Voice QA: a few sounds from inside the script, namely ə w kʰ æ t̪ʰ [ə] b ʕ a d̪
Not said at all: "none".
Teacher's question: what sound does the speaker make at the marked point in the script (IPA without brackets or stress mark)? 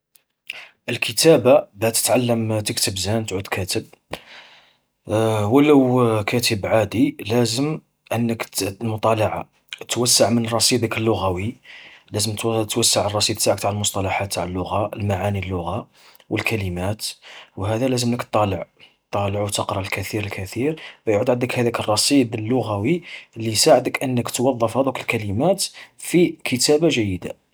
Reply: ə